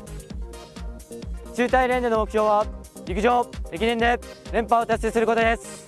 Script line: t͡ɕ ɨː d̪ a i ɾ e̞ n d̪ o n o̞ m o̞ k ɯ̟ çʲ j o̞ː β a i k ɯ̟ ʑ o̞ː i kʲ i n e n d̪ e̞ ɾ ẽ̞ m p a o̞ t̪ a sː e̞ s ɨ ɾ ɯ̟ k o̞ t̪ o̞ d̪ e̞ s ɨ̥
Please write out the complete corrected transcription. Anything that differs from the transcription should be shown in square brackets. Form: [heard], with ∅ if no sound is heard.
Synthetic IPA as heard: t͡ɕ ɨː [t̪] a i ɾ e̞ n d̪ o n o̞ m o̞ k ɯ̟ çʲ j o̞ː β a i k ɯ̟ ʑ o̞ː [e] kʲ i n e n d̪ e̞ ɾ ẽ̞ m p a o̞ t̪ a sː e̞ s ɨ ɾ ɯ̟ k o̞ t̪ o̞ d̪ e̞ s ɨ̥